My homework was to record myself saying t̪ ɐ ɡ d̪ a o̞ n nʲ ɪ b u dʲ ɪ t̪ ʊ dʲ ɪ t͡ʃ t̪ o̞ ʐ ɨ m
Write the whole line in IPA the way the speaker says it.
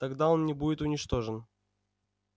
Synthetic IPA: t̪ ɐ ɡ d̪ a o̞ n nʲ ɪ b u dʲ ɪ t̪ ʊ nʲ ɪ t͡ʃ t̪ o̞ ʐ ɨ n